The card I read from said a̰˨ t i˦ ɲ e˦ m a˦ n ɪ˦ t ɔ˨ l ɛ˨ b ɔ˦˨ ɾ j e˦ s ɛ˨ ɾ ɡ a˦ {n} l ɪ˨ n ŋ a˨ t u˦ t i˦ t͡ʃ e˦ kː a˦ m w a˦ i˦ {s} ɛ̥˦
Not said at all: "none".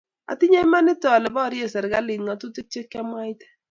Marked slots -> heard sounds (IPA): none, t

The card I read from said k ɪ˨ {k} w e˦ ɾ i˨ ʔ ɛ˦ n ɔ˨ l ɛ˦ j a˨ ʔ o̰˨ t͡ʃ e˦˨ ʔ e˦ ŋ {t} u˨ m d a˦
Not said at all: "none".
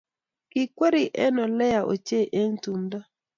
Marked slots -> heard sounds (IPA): k, t

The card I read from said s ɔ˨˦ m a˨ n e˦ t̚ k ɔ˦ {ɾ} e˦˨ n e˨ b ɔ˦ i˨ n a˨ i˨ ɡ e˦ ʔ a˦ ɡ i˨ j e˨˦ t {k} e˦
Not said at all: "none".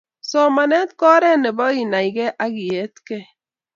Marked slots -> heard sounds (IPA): ɾ, k

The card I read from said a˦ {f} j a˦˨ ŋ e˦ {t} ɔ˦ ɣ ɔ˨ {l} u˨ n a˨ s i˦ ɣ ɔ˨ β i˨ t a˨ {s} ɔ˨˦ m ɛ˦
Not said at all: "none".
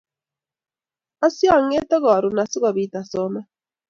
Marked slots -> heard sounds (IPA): s, t, ɾ, s

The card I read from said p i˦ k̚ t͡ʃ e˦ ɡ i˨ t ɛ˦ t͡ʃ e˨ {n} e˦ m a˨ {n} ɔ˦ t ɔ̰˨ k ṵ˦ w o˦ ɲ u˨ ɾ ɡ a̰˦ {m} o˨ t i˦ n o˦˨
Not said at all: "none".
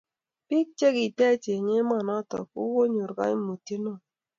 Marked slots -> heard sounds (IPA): ɲ, n, m

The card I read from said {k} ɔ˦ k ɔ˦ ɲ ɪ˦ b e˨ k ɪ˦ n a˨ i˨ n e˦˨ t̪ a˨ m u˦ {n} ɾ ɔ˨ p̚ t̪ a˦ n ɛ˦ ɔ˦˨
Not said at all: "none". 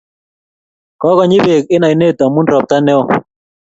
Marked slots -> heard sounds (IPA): k, n

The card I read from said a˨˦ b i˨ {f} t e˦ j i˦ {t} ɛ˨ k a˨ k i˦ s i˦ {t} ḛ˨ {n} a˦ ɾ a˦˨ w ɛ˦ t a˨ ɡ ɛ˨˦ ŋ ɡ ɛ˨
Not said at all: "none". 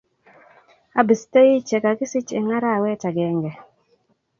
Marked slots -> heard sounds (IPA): s, t͡ʃ, t͡ʃ, ŋ

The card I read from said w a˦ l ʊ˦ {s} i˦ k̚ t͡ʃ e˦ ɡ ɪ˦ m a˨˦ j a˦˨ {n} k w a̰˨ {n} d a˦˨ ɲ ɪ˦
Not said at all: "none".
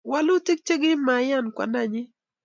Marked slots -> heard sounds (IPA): t, n, n

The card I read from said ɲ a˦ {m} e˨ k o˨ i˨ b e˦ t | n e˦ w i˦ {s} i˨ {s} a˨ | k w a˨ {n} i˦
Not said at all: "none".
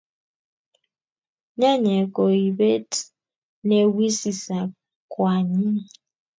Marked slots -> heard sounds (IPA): ɲ, s, s, ɲ

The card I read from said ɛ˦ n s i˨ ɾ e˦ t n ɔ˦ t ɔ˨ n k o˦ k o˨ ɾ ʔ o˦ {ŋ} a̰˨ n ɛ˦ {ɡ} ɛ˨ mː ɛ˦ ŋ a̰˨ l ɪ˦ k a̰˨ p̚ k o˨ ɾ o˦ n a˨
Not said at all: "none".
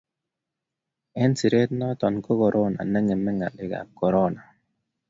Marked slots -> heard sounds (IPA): n, ŋ

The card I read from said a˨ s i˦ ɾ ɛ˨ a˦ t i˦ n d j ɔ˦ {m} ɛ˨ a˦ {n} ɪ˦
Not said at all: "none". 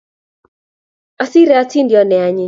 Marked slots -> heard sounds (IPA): n, ɲ

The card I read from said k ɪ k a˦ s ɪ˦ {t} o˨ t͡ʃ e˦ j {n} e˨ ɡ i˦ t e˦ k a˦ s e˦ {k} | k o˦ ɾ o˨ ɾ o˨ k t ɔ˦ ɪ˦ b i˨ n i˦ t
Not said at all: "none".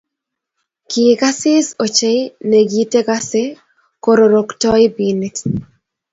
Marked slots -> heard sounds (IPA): s, n, none

